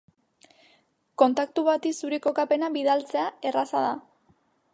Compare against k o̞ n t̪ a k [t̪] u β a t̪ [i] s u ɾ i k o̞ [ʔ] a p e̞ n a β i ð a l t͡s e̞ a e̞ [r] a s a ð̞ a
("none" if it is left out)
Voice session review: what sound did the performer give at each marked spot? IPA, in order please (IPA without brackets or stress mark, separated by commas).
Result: t̪, i, k, r